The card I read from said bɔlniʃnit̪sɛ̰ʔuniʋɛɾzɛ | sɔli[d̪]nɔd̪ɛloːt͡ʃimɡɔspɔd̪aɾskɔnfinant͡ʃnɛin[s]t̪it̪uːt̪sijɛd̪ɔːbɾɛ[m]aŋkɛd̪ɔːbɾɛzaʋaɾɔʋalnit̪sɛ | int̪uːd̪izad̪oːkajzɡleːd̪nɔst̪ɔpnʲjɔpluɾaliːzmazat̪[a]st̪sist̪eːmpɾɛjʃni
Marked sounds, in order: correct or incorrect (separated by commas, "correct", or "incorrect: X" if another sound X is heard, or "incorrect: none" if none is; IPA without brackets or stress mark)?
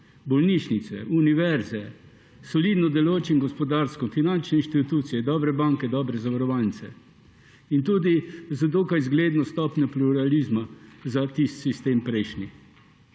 correct, incorrect: ʃ, incorrect: b, incorrect: i